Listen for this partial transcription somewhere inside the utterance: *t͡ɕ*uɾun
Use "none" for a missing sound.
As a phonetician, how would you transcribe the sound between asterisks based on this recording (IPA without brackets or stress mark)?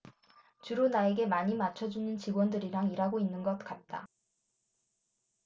t͡ɕ